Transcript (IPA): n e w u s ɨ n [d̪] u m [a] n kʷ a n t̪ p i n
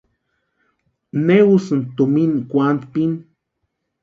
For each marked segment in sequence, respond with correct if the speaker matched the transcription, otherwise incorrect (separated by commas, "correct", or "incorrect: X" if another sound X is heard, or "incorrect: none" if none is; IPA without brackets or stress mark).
incorrect: t̪, incorrect: i